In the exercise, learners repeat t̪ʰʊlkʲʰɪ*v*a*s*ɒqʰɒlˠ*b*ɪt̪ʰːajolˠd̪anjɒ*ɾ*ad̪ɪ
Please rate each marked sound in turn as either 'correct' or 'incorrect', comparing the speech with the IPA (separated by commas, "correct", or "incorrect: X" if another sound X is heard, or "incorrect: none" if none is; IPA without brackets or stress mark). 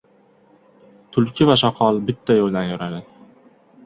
correct, incorrect: ʃ, correct, correct